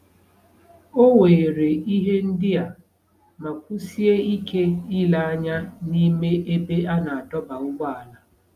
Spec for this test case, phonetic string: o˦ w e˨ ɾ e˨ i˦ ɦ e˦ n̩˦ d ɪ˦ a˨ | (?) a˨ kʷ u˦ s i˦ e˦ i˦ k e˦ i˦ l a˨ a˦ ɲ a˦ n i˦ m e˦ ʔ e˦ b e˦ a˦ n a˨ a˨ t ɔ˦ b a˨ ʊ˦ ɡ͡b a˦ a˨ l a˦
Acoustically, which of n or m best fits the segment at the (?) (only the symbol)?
m